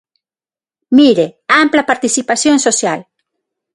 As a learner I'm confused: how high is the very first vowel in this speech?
high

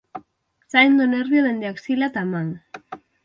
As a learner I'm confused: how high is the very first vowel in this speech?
low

